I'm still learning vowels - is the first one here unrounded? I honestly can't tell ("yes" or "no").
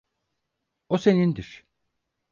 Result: no